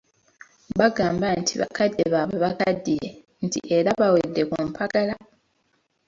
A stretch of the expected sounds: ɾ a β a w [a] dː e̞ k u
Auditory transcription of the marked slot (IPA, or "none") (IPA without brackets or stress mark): e